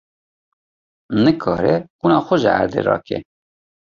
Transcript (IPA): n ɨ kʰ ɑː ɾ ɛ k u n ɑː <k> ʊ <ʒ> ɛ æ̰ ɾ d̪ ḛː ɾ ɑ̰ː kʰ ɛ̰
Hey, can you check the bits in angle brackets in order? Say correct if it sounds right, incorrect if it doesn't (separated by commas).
incorrect, correct